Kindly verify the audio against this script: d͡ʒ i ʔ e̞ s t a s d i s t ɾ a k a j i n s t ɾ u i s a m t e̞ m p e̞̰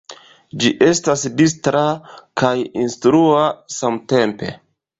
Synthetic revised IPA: d͡ʒ i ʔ e̞ s t a s d i s t ɾ a k a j i n s t ɾ u a s a m t e̞ m p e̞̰